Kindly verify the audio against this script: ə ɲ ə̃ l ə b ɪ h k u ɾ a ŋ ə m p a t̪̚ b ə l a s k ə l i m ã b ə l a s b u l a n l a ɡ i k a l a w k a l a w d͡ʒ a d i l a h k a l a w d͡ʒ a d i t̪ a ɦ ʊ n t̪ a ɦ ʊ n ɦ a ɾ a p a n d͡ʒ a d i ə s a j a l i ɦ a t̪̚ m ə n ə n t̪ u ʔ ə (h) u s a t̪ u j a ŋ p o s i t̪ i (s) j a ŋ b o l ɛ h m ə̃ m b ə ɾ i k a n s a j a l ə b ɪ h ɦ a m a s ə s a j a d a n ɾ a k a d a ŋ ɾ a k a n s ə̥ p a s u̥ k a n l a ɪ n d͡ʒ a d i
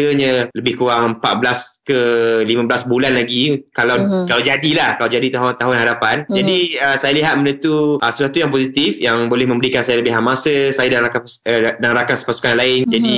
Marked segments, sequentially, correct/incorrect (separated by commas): incorrect, incorrect